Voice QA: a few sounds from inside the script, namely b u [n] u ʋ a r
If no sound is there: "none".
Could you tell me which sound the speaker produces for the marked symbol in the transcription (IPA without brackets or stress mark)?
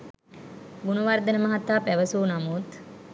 n